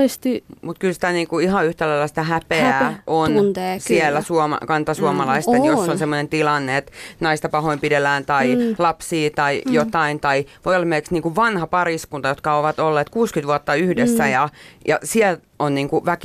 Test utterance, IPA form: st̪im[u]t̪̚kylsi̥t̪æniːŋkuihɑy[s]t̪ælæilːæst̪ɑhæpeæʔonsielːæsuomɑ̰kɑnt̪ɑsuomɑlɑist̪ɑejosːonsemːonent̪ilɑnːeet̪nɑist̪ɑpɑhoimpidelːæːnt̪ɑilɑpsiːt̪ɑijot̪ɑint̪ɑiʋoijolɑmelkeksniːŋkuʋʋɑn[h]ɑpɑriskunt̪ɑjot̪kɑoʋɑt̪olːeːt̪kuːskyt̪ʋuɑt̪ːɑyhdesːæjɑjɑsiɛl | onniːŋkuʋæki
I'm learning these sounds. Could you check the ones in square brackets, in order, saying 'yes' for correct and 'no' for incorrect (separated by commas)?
yes, no, yes